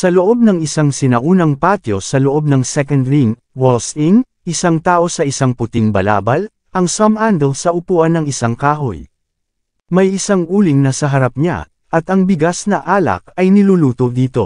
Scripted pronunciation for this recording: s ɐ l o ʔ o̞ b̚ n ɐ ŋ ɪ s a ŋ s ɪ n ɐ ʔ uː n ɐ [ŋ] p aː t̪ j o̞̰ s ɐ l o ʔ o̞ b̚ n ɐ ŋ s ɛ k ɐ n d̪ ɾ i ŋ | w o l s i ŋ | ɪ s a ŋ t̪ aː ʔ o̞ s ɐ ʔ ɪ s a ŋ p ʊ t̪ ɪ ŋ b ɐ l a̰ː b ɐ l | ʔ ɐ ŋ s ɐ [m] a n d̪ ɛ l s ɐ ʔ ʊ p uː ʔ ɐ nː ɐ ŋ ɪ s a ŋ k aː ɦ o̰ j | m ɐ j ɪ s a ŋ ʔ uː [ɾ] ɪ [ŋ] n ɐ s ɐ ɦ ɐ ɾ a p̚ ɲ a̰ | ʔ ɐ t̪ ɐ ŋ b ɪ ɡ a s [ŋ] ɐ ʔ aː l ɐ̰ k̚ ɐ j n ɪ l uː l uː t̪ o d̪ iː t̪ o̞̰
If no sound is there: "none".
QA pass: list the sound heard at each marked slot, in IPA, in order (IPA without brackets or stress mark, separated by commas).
ŋ, m, l, ŋ, n